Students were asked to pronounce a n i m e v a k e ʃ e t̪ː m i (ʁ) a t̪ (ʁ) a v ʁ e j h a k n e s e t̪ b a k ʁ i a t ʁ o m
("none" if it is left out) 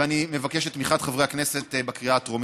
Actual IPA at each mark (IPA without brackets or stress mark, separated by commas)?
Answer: χ, χ